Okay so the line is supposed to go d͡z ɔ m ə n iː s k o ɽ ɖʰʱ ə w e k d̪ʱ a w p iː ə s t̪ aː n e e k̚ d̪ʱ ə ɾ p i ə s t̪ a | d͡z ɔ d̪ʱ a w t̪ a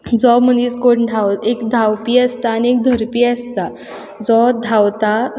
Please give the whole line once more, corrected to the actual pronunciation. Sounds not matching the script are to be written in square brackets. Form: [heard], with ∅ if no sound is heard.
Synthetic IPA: d͡z ɔ m ə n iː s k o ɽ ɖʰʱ [a] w e k d̪ʱ a w p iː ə s t̪ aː n [i] e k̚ d̪ʱ ə ɾ p i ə s t̪ a | d͡z ɔ d̪ʱ a w t̪ a

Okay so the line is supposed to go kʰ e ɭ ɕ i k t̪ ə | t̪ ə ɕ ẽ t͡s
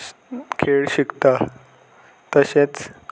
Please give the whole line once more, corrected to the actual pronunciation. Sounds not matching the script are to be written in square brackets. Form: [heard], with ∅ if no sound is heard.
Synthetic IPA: kʰ e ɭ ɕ i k t̪ [a] | t̪ ə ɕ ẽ t͡s

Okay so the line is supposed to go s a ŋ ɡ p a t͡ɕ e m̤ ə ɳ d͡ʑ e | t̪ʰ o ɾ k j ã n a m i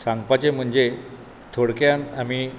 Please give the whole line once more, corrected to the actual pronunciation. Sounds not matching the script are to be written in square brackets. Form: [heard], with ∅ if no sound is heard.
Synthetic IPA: s a ŋ ɡ p a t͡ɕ e m̤ ə ɳ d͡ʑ e | t̪ʰ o [ɽ] k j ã n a m i

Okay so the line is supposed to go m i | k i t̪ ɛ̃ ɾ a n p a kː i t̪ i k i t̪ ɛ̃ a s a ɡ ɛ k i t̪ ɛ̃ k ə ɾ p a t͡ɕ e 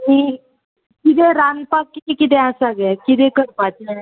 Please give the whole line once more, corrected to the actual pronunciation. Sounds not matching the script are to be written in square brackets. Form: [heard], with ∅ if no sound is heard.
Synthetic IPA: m i | k i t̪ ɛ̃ ɾ a n p a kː i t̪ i k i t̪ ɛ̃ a s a ɡ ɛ k i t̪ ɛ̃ k ə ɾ p a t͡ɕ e

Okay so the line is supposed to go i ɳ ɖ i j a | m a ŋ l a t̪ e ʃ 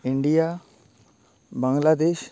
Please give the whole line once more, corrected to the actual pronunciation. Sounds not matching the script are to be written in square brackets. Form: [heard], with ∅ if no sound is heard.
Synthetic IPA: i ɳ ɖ i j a | [b] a ŋ l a [d̪] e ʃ

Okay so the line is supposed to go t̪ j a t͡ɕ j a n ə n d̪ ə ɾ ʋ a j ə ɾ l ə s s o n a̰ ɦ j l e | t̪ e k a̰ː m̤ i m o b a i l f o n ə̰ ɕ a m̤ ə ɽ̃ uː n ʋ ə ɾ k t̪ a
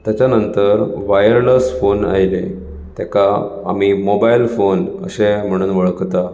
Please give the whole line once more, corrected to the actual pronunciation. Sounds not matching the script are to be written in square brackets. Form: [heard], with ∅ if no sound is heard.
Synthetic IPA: t̪ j a t͡ɕ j a n ə n [t̪] ə ɾ ʋ a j ə ɾ l ə s [f] o n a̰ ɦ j l e | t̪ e k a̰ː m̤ i m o b a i l f o n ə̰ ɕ [e] m̤ ə ɽ̃ uː n ʋ ə [ɭ] k t̪ a

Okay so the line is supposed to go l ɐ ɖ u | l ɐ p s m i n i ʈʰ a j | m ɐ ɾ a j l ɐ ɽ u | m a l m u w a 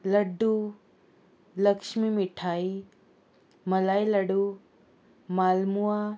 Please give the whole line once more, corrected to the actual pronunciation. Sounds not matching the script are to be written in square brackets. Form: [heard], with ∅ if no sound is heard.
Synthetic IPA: l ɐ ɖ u | l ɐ [k] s m i [m] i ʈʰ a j | m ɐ [l] a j l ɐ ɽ u | m a l m u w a

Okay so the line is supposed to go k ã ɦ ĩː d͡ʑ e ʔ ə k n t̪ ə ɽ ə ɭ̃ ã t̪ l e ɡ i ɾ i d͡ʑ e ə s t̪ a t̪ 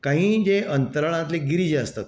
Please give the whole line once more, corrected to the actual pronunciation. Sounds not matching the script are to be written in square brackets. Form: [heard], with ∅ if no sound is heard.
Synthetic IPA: k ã ɦ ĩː d͡ʑ e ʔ ə [∅] n t̪ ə [ɾ] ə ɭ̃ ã t̪ l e ɡ i ɾ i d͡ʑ e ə s t̪ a t̪

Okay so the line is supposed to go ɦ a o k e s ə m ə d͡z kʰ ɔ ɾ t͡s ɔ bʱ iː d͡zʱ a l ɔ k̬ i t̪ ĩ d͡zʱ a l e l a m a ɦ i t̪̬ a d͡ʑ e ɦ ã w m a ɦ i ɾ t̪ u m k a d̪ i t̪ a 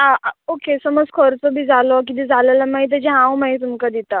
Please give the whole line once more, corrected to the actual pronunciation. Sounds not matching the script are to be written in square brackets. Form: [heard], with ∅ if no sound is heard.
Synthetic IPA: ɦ a o k e s ə m ə d͡z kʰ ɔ ɾ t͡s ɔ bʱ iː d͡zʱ a l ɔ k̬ i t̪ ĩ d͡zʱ a l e l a m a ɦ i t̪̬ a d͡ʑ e ɦ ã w m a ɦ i [∅] t̪ u m k a d̪ i t̪ a

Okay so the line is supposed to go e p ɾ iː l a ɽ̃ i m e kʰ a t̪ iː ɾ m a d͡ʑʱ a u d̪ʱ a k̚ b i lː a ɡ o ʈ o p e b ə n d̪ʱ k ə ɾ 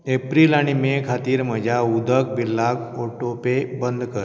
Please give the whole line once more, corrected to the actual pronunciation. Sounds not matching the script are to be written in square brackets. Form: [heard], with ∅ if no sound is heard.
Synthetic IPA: e p ɾ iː l a ɽ̃ i m e kʰ a t̪ iː ɾ m [ə] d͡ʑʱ a u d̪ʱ [ə] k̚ b i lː a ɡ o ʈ o p e b ə n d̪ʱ k ə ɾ

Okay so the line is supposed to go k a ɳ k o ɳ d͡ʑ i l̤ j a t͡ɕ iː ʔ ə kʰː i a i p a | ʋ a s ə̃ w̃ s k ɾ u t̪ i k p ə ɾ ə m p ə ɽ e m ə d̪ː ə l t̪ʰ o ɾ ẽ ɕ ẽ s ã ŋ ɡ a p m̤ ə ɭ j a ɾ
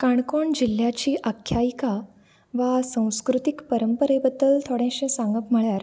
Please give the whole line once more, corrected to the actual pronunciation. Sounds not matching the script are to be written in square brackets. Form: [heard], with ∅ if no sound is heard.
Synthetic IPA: k a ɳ k o ɳ d͡ʑ i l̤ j a t͡ɕ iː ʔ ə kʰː [j] a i [k] a | ʋ a s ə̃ w̃ s k ɾ u t̪ i k p ə ɾ ə m p ə [ɾ] e [b] ə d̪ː ə l t̪ʰ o [ɽ] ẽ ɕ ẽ s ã ŋ ɡ [ə] p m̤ ə ɭ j a ɾ

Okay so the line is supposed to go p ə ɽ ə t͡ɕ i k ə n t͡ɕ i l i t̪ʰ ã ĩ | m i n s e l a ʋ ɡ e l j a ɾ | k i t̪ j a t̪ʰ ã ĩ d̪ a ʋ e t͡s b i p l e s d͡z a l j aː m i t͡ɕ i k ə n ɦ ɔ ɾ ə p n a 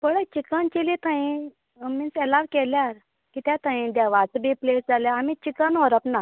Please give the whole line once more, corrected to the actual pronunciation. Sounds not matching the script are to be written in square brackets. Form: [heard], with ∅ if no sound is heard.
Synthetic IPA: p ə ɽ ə t͡ɕ i k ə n t͡ɕ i l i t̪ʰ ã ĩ | m i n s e l a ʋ [k] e l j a ɾ | k i t̪ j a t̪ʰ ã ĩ d̪ a ʋ [a] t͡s b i p l e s d͡z a l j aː m i t͡ɕ i k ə n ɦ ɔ ɾ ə p n a

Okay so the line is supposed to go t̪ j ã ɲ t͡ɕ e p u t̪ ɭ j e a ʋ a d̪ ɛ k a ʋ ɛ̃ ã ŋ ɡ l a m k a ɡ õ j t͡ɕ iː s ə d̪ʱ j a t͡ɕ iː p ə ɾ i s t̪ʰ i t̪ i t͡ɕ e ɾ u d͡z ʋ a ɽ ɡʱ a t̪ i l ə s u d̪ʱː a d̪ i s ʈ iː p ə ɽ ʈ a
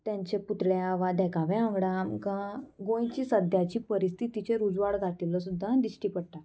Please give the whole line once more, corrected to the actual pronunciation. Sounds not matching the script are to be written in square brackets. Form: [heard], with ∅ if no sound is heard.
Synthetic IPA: t̪ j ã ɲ t͡ɕ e p u t̪ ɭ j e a ʋ a d̪ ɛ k a ʋ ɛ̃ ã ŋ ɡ [ɽ] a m k a ɡ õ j t͡ɕ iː s ə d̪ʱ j a t͡ɕ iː p ə ɾ i s t̪ʰ i t̪ i t͡ɕ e ɾ u d͡z ʋ a ɽ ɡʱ a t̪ i l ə s u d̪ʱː a d̪ i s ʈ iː p ə ɽ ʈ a

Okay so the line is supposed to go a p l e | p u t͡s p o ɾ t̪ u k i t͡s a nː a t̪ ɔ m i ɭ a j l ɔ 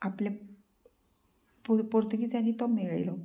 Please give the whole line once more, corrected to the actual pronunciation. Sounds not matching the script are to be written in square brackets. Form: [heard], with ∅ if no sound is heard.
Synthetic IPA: a p l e | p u [∅] p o ɾ t̪ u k i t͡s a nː [i] t̪ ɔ m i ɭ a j l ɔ

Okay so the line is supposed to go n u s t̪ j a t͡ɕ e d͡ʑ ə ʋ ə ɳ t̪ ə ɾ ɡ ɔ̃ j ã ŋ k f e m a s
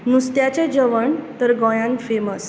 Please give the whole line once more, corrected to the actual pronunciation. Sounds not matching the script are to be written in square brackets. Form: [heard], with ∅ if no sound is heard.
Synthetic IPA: n u s t̪ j a t͡ɕ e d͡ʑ ə ʋ ə ɳ t̪ ə ɾ ɡ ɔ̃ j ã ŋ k f e m [ə] s

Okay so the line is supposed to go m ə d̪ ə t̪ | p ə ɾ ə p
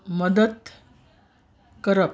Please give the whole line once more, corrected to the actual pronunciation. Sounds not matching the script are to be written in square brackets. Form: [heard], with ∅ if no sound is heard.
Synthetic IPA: m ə d̪ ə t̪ | [k] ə ɾ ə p

